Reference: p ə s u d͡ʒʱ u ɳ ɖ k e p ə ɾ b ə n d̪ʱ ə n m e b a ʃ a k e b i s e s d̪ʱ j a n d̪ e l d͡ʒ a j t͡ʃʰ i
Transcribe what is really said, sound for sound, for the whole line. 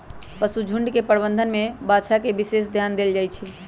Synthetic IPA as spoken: p ə s u d͡ʒʱ u ɳ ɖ k e p ə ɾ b ə n d̪ʱ ə n m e b a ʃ a k e b i s e s d̪ʱ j a n d̪ e l d͡ʒ a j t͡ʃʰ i